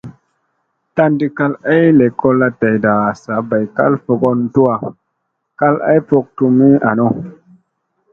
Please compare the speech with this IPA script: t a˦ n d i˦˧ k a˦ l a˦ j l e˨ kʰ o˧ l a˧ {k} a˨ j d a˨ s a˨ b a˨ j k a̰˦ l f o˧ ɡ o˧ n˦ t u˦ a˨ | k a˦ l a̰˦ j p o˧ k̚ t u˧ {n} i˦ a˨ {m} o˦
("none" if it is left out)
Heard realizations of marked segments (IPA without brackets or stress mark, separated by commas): t, m, n